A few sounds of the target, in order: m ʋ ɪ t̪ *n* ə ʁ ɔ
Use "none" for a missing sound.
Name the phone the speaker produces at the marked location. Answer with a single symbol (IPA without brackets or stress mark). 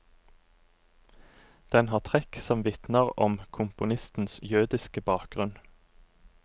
n